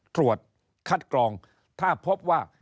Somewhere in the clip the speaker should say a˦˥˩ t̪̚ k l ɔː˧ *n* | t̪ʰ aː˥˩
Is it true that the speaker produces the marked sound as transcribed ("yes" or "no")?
no